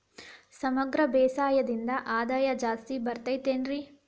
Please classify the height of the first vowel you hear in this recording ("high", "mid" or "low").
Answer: low